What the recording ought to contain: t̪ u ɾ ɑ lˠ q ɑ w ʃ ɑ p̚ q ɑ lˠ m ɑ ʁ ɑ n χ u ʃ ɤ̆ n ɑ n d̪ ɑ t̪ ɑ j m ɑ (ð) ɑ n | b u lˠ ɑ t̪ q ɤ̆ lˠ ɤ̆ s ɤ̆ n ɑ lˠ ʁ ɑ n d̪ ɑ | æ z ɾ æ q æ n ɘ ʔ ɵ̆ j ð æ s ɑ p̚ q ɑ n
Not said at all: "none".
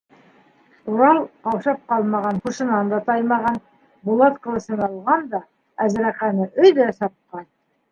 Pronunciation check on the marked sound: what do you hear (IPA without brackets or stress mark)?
ʁ